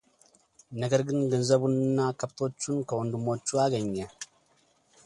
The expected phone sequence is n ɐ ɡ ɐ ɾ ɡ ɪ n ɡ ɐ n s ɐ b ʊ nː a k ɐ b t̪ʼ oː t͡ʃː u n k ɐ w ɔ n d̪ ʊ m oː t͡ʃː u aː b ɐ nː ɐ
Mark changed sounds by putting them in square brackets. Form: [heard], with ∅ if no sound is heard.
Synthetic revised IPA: n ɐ ɡ ɐ ɾ ɡ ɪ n ɡ ɐ n [z] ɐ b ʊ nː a k ɐ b [t̪] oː t͡ʃː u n k ɐ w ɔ n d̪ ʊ m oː t͡ʃː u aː [ɡ] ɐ [ɲː] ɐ